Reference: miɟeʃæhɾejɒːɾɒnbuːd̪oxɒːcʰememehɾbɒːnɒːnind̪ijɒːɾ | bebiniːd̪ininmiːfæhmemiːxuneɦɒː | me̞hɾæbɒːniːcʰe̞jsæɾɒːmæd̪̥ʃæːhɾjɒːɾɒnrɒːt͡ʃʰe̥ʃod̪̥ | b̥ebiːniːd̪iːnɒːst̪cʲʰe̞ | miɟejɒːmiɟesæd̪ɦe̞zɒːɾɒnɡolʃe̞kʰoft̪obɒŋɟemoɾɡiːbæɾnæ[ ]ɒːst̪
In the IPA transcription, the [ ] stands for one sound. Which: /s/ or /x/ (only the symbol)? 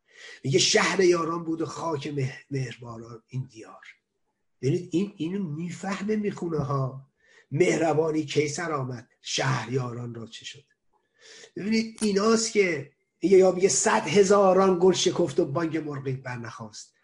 x